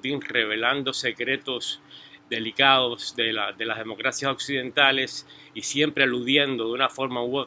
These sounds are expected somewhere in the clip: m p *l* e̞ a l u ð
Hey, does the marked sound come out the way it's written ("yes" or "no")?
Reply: no